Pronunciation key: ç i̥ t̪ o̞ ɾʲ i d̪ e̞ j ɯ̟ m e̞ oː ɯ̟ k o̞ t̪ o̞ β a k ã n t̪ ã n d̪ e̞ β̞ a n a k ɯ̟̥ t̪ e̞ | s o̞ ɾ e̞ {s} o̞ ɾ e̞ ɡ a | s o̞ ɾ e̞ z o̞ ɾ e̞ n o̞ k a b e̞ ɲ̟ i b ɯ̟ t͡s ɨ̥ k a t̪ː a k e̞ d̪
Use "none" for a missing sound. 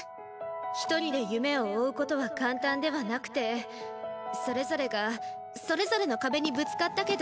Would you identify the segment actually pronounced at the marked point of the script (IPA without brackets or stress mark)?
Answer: z